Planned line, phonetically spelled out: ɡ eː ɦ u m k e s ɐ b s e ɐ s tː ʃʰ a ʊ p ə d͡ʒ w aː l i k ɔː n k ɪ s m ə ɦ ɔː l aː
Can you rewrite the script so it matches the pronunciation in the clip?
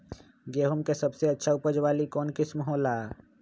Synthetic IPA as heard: ɡ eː ɦ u m k e s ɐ b s e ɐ tː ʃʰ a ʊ p ə d͡ʒ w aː l i k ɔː n k ɪ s m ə ɦ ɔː l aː